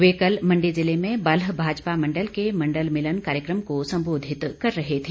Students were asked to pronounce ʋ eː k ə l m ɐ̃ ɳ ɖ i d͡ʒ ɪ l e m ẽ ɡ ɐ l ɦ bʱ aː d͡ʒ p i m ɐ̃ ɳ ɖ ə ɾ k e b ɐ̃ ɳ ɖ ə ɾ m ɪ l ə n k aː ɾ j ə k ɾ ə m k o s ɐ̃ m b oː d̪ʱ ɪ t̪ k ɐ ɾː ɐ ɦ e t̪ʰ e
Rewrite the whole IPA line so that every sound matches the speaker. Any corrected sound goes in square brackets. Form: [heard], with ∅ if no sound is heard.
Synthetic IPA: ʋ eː k ə l m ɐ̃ ɳ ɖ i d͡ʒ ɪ l e m ẽ [b] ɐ l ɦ bʱ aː d͡ʒ p [a] m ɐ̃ ɳ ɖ ə [l] k e [m] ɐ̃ ɳ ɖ ə [l] m ɪ l ə n k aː ɾ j ə k ɾ ə m k o s ɐ̃ m b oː d̪ʱ ɪ t̪ k ɐ ɾː ɐ ɦ e t̪ʰ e